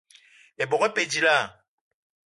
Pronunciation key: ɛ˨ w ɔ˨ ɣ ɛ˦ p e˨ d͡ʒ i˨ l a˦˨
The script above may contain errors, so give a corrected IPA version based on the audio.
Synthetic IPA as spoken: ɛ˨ b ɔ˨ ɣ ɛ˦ p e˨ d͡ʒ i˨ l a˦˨